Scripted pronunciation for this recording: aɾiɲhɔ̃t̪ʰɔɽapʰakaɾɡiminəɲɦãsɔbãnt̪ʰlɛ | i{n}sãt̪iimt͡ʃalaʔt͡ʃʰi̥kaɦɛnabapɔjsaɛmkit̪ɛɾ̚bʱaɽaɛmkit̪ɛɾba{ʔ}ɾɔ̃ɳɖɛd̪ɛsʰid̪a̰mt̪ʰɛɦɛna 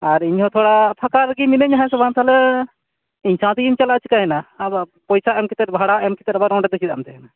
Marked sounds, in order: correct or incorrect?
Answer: incorrect, incorrect

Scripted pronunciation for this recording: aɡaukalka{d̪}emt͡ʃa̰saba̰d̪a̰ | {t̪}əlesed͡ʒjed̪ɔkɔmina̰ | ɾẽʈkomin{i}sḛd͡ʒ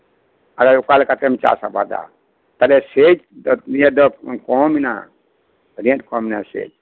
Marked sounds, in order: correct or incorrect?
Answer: incorrect, correct, incorrect

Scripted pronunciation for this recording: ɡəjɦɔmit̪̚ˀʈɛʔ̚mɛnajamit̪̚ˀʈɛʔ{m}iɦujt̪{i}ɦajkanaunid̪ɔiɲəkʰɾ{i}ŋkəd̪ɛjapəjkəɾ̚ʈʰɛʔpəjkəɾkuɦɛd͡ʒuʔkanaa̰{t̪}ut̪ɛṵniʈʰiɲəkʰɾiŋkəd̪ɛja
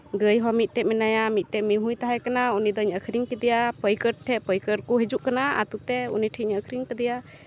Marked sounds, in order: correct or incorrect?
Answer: correct, incorrect, correct, correct

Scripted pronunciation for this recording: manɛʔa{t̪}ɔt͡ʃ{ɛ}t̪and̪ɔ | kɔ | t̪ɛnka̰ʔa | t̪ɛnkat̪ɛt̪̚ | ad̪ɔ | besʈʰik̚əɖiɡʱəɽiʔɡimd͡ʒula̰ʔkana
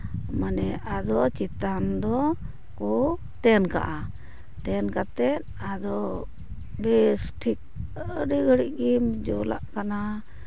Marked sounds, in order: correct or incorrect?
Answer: incorrect, incorrect

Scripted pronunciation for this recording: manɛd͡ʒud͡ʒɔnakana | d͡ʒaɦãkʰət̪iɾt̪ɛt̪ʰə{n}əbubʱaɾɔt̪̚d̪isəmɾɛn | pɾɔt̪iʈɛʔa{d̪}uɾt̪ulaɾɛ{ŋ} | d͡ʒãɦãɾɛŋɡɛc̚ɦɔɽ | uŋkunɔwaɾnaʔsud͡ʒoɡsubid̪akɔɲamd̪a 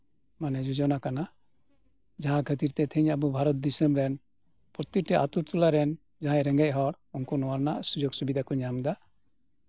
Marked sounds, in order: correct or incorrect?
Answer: incorrect, incorrect, incorrect

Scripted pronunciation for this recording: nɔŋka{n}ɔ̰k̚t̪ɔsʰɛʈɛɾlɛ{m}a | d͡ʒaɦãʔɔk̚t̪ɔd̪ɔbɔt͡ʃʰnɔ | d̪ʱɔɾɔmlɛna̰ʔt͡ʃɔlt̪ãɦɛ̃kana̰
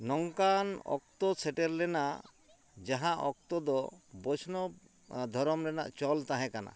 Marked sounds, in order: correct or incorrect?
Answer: correct, incorrect

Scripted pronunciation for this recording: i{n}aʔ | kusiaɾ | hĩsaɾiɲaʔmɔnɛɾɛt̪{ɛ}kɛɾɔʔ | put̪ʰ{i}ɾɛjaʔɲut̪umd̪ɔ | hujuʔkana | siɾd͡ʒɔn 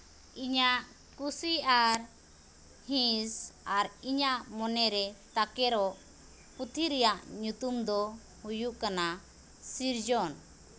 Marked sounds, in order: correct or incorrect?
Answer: incorrect, incorrect, correct

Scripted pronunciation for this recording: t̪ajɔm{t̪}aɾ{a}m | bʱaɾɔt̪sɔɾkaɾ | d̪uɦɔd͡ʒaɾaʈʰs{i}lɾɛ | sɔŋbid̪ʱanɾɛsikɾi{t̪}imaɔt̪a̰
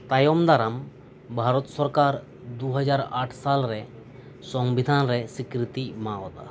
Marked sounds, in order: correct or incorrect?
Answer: incorrect, correct, incorrect, correct

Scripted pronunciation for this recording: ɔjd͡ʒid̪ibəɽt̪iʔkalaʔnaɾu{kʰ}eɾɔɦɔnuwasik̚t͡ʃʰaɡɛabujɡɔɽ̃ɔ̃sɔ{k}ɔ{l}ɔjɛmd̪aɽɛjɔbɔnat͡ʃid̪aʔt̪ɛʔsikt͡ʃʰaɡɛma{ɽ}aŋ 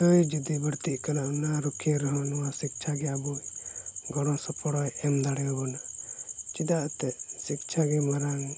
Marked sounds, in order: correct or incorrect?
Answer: correct, incorrect, incorrect, incorrect

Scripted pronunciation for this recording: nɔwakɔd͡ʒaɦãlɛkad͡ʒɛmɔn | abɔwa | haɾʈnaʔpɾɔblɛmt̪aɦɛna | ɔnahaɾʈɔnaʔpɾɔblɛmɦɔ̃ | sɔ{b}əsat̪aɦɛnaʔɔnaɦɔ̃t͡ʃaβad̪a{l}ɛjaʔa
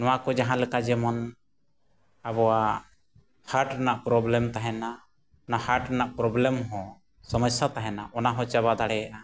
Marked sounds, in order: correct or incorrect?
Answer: incorrect, incorrect

